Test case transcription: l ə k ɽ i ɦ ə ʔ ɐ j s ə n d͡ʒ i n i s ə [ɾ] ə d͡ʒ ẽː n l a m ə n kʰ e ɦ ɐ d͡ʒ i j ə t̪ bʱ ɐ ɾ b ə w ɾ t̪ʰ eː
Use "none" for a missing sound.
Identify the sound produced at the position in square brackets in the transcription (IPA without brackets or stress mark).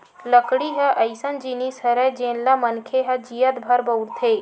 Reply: ɾ